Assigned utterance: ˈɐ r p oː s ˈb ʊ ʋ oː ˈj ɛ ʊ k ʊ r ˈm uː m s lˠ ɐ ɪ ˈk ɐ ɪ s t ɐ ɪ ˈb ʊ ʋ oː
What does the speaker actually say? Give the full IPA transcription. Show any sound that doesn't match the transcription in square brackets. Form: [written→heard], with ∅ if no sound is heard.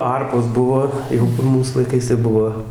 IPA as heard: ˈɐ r p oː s ˈb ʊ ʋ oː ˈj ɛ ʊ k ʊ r ˈm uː [m→∅] s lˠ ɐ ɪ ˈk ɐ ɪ s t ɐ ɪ ˈb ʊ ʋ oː